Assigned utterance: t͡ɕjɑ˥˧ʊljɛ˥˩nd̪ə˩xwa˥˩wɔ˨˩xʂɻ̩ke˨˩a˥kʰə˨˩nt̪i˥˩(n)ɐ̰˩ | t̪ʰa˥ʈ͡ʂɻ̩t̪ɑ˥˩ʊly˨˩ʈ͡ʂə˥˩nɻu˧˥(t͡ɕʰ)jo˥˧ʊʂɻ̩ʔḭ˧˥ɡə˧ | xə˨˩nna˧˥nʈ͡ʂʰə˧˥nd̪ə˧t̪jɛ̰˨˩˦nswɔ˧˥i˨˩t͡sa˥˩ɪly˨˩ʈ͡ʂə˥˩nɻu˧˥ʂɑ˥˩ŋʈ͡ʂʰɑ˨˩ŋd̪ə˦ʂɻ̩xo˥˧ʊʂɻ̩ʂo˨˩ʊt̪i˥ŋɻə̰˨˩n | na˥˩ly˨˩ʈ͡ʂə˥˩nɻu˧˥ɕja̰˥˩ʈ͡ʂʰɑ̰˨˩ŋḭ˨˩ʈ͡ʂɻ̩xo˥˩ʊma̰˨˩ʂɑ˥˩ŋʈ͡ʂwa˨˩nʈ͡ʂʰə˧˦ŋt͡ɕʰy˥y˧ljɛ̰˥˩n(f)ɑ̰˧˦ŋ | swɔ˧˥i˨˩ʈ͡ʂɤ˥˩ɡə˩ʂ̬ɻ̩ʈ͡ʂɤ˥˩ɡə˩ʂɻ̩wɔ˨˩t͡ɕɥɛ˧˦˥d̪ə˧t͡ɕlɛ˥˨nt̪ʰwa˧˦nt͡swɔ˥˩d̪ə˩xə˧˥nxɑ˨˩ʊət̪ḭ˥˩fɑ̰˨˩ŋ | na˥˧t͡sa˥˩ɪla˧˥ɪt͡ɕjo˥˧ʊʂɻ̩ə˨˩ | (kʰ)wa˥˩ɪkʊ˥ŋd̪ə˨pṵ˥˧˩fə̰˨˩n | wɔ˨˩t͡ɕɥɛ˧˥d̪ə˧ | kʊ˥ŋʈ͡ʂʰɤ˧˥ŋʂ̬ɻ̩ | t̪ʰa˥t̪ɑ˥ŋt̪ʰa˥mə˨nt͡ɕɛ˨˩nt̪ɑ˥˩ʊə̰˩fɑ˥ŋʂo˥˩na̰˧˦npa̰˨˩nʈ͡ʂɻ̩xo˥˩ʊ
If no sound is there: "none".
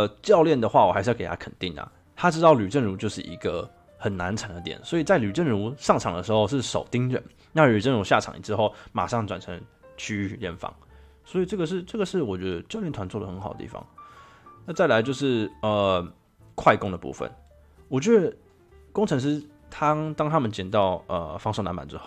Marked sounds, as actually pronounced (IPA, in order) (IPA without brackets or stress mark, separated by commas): ŋ, t͡ɕ, f, kʰ